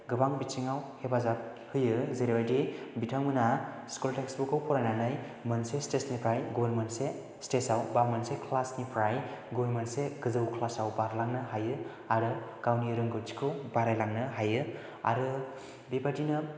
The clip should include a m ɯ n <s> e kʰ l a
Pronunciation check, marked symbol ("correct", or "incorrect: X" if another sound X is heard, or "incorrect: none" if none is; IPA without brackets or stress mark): correct